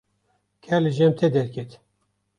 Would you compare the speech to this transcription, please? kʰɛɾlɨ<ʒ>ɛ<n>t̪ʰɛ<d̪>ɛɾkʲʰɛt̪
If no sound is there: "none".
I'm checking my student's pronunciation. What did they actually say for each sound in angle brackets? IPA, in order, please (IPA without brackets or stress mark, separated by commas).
ʒ, m, d̪